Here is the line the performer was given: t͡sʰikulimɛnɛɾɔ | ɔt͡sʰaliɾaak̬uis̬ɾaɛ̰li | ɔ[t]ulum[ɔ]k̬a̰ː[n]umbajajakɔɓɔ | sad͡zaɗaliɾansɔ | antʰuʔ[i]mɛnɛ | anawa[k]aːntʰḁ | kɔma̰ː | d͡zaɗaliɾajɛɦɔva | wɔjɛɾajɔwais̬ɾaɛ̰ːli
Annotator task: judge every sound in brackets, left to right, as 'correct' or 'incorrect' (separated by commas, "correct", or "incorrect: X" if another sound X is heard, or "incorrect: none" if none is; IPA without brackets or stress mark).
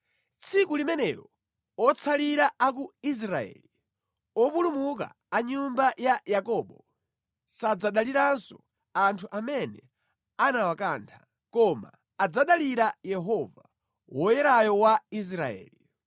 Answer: incorrect: p, incorrect: u, incorrect: ɲ, incorrect: a, correct